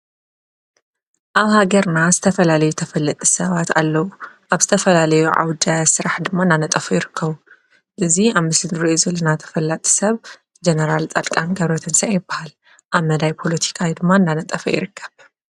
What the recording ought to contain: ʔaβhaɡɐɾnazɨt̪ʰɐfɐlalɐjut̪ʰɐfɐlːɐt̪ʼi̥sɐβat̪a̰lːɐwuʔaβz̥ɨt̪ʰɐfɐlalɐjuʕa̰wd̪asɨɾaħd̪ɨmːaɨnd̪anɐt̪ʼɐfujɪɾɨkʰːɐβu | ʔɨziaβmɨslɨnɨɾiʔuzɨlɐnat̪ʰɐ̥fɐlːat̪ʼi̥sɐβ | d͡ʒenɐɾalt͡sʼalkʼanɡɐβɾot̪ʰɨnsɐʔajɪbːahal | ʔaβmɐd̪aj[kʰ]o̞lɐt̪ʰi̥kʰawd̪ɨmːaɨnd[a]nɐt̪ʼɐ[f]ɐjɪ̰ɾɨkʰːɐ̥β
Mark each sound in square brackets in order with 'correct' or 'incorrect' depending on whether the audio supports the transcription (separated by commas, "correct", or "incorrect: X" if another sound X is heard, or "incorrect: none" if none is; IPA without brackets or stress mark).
incorrect: pʰ, correct, correct